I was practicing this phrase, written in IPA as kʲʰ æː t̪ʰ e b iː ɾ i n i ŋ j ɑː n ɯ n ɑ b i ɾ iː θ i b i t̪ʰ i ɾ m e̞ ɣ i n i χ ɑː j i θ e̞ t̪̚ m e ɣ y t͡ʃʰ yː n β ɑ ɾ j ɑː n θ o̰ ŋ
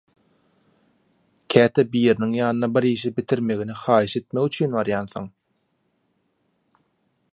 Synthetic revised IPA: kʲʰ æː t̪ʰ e b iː ɾ i n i ŋ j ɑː n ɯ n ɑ b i ɾ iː ʃ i b i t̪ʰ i ɾ m e̞ ɣ i n i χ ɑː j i ʃ e̞ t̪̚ m e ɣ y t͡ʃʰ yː n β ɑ ɾ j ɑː n θ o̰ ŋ